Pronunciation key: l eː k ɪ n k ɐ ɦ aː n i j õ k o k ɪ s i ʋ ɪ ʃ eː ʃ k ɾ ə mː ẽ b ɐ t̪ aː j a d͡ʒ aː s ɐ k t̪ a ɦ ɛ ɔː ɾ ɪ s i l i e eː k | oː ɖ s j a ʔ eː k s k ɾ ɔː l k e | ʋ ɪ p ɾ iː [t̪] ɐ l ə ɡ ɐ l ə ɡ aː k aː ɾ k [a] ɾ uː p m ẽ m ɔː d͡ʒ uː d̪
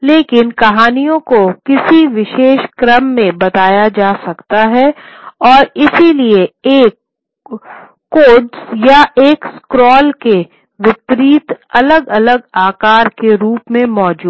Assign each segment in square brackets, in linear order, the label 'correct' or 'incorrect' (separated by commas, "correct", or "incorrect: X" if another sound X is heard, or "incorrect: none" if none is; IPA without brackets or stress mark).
correct, incorrect: e